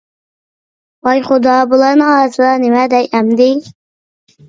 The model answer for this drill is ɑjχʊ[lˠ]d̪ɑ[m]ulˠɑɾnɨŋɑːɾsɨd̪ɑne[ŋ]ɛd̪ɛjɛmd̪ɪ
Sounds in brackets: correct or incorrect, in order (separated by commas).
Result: incorrect, incorrect, incorrect